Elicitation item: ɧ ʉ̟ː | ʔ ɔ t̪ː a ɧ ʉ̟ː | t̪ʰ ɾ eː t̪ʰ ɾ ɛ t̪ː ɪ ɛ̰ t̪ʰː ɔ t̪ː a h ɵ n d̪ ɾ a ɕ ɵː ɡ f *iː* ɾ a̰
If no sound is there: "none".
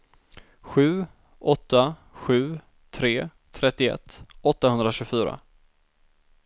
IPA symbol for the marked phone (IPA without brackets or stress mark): yː